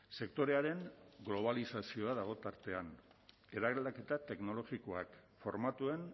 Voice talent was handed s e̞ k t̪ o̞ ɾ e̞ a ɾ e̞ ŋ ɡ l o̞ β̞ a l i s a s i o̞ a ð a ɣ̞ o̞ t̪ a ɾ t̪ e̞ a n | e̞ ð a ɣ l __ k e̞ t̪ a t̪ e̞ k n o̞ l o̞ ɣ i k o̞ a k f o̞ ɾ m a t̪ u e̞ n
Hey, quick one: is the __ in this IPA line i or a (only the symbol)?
a